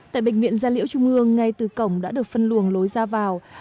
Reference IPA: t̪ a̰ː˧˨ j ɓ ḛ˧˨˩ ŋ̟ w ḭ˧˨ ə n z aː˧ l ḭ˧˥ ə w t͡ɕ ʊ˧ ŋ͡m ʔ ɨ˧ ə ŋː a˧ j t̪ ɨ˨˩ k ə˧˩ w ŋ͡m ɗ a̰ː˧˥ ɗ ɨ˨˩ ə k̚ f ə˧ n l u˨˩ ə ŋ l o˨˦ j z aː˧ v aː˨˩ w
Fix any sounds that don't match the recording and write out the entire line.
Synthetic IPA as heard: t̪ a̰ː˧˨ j ɓ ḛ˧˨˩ ŋ̟ v ḭ˧˨ ə n z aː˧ l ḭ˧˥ ə w t͡ɕ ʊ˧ ŋ͡m ʔ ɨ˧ ə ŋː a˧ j t̪ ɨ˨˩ k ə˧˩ w ŋ͡m ɗ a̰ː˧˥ ɗ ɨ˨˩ ə k̚ f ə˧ n l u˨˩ ə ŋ l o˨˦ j z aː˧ v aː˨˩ w